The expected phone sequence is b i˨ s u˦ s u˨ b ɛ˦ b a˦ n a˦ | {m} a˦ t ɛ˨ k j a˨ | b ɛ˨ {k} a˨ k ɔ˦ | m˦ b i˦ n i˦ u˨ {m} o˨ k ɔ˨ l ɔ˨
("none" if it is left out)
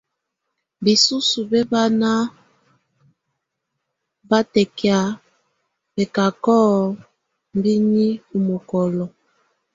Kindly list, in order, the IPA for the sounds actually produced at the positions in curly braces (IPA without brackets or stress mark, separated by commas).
b, k, m